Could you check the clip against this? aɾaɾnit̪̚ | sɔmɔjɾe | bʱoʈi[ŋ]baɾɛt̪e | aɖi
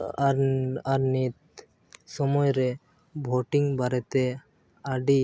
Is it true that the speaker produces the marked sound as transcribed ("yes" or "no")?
yes